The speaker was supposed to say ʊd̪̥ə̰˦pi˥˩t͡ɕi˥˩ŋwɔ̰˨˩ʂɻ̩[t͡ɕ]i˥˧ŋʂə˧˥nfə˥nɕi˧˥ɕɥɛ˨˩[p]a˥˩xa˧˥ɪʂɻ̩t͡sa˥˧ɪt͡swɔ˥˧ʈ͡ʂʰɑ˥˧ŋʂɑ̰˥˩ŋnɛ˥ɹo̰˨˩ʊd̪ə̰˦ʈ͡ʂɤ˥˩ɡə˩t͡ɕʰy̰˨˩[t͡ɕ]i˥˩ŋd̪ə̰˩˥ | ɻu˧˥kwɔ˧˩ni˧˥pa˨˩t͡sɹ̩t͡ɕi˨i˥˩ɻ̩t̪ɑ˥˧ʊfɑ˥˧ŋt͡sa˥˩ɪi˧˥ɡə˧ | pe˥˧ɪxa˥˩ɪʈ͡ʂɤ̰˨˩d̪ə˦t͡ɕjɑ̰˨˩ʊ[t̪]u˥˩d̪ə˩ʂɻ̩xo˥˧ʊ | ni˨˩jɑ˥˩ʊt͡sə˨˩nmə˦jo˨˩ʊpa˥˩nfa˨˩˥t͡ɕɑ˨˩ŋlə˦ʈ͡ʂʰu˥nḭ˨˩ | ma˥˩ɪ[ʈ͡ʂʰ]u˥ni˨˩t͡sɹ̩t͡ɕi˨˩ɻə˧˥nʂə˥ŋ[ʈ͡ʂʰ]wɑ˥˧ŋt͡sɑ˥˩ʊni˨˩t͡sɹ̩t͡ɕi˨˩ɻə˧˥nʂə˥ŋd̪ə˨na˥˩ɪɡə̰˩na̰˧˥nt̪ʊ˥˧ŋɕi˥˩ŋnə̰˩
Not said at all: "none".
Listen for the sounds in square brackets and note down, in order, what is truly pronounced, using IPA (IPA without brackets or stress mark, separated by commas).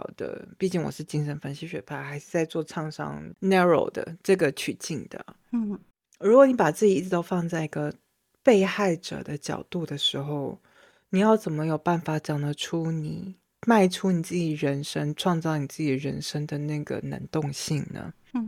t͡ɕ, pʰ, t͡ɕ, t̪, ʈ͡ʂʰ, ʈ͡ʂʰ